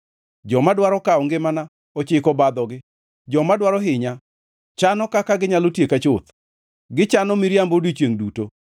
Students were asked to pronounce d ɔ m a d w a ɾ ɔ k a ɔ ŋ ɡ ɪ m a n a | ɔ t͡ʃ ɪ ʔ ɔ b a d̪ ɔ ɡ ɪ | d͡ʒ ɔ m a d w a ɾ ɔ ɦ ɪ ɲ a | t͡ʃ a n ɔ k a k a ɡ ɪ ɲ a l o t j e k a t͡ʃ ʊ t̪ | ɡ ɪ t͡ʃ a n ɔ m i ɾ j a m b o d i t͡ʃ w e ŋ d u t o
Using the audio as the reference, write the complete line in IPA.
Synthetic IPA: d͡ʒ ɔ m a d w a ɾ ɔ k a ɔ ŋ ɡ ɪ m a n a | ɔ t͡ʃ ɪ k ɔ b a d̪ ɔ ɡ ɪ | d͡ʒ ɔ m a d w a ɾ ɔ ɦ ɪ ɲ a | t͡ʃ a n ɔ k a k a ɡ ɪ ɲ a l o t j e k a t͡ʃ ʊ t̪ | ɡ ɪ t͡ʃ a n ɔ m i ɾ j a m b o d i t͡ʃ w e ŋ d u t o